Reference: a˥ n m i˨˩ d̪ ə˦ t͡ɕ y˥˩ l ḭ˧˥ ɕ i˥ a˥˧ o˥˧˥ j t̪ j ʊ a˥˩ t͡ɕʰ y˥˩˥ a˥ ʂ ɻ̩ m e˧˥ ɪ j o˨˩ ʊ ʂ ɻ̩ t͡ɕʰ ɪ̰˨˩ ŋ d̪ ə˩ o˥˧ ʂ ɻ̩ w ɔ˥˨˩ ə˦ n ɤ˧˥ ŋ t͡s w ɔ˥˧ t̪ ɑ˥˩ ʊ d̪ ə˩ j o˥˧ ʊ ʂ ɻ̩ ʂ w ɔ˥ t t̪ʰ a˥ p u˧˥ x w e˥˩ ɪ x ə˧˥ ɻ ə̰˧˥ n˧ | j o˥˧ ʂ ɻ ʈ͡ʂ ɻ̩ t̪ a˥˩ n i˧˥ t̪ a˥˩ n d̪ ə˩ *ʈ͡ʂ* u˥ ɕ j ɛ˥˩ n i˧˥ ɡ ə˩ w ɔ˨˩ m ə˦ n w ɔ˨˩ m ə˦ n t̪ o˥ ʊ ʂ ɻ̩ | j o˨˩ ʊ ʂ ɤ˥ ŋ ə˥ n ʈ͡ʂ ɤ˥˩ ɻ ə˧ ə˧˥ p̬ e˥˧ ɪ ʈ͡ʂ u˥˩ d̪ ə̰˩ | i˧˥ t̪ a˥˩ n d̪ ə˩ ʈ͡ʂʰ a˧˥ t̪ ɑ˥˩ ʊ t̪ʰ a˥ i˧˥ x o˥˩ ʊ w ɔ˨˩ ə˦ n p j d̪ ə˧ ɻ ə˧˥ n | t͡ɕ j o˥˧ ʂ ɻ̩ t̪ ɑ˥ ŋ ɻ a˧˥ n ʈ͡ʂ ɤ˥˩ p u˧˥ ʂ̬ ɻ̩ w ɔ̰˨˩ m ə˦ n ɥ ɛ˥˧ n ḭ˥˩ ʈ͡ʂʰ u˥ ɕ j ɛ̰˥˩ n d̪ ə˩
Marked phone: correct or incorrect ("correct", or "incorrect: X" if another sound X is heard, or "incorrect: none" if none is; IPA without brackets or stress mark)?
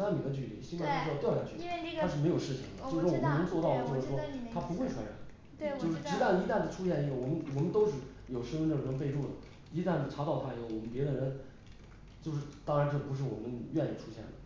incorrect: ʈ͡ʂʰ